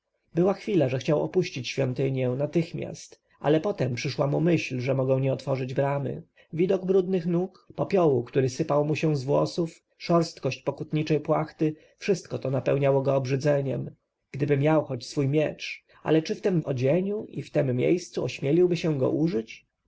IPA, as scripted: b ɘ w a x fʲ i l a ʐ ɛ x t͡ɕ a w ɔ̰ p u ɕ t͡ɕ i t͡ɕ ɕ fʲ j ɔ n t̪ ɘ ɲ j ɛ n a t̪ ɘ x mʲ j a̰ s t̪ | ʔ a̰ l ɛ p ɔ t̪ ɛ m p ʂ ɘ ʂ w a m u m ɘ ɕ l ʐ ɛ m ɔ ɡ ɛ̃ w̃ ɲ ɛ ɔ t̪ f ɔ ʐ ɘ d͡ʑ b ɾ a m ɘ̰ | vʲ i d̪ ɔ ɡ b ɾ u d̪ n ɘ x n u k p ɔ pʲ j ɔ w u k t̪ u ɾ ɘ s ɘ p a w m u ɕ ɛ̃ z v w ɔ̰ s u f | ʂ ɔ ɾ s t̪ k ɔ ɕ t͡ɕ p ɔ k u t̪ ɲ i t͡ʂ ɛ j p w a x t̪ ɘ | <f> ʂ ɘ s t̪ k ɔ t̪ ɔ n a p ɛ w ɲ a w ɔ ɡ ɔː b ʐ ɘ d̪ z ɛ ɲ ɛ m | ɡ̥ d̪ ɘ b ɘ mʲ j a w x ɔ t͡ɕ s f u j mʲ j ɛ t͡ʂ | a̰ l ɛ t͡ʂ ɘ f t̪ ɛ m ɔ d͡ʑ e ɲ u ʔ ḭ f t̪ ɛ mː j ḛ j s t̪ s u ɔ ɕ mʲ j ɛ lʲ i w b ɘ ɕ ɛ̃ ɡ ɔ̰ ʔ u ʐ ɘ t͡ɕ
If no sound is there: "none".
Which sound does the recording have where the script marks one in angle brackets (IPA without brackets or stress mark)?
f